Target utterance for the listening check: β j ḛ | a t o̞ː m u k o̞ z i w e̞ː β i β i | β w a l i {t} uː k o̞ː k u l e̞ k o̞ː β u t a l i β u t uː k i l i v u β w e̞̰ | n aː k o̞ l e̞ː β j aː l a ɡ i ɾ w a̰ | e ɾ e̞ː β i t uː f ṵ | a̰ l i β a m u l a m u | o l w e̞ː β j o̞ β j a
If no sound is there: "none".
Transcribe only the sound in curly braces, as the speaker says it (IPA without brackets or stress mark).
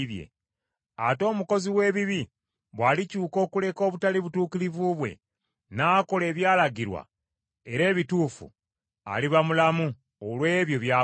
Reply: c